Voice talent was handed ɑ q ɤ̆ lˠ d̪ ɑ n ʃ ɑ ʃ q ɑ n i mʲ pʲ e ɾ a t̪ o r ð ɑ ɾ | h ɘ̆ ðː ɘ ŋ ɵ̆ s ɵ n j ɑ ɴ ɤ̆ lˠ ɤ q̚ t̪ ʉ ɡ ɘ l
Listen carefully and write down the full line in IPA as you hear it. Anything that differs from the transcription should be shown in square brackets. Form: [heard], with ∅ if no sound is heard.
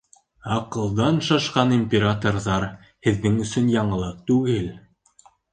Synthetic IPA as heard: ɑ q ɤ̆ lˠ d̪ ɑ n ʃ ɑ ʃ q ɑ n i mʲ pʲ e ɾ a t̪ o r ð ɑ ɾ | h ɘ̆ ðː ɘ ŋ ɵ̆ s ɵ n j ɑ ɴ ɤ̆ lˠ ɤ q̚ t̪ ʉ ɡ ɘ l